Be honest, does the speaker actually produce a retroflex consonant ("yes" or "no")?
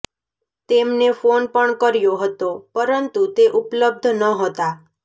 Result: yes